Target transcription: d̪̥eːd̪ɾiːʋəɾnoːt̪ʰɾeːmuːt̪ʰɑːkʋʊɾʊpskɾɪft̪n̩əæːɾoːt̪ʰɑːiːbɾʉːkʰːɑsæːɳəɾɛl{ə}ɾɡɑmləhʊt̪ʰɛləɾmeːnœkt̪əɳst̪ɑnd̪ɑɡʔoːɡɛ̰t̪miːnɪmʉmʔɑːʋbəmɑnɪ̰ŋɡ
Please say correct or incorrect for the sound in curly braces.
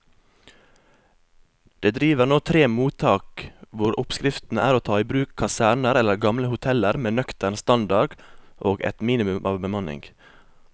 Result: correct